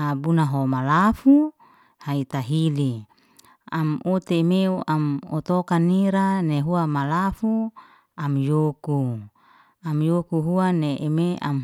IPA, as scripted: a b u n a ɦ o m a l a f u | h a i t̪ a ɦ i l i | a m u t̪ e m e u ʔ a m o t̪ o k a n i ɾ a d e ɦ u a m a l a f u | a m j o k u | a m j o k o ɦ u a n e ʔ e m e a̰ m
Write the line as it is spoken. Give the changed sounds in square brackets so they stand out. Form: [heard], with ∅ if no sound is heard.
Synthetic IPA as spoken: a b u n a ɦ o m a l a f u | h a i t̪ a ɦ i l i | a m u t̪ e m e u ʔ a m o t̪ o k a n i ɾ a [n] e ɦ u a m a l a f u | a m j o k u | a m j o k [u] ɦ u a n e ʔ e m e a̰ m

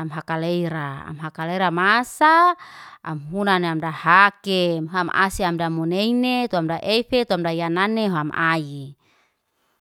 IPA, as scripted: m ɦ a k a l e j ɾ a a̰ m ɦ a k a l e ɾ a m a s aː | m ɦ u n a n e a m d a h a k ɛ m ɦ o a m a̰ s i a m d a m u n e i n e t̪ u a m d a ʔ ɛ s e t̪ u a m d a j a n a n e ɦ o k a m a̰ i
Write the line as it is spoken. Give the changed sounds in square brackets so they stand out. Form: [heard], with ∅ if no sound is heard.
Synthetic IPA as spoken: m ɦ a k a l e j ɾ a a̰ m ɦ a k a l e ɾ a m a s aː | m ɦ u n a n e a m d a h a k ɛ m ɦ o a m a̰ s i a m d a m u n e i n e t̪ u a m d a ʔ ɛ [f] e t̪ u a m d a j a n a n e ɦ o [∅] a m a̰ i

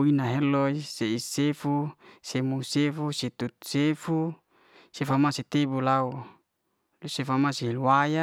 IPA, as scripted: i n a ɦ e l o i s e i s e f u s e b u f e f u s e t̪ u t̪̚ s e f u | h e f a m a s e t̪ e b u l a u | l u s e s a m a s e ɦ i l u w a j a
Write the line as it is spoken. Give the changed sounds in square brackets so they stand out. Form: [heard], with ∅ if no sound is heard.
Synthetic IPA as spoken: i n a ɦ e l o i s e i s e f u s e [m] u [s] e f u s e t̪ u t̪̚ s e f u | [s] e f a m a s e t̪ e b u l a u | l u s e [f] a m a s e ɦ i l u w a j a

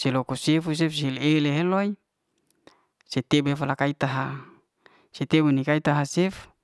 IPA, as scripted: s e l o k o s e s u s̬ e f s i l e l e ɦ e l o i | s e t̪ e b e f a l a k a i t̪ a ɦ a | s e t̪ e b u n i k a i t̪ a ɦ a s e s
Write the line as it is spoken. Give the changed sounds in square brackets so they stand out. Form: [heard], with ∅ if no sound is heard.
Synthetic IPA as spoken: s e l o k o s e [f] u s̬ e f s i l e l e ɦ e l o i | s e t̪ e b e f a l a k a i t̪ a ɦ a | s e t̪ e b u n i k a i t̪ a ɦ a s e [f]

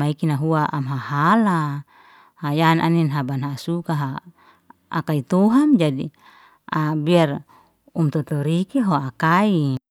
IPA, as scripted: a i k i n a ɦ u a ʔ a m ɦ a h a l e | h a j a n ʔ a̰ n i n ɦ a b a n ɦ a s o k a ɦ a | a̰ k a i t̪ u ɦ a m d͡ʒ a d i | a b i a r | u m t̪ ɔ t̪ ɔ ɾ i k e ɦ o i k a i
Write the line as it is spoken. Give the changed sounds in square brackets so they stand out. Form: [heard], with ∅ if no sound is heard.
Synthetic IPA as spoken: a i k i n a ɦ u a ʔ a m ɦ a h a l [a] | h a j a n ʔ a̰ n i n ɦ a b a n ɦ a s [u] k a ɦ a | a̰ k a i t̪ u ɦ a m d͡ʒ a d i | a b i a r | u m t̪ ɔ t̪ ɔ ɾ i k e ɦ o [a] k a i

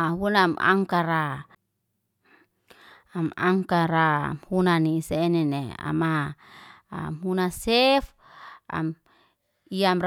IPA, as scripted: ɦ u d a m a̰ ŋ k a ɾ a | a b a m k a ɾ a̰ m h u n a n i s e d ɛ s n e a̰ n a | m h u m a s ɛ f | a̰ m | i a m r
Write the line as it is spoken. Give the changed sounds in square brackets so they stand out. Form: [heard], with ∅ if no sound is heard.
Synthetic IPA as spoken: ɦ u [n] a m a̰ ŋ k a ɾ a | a [m] a [ŋ] k a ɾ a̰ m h u n a n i s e [n] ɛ [∅] n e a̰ [m] a | m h u [n] a s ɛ f | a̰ m | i a m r

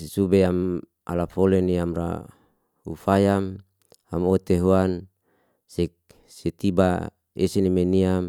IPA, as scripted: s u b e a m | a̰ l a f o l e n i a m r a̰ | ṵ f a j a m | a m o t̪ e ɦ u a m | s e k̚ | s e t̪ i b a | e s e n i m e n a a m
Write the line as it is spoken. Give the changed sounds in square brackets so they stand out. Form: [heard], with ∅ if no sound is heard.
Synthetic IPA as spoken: s u b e a m | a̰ l a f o l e n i a m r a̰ | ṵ f a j a m | a m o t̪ e ɦ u a [n] | s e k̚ | s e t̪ i b a | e s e n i m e n [i] a m

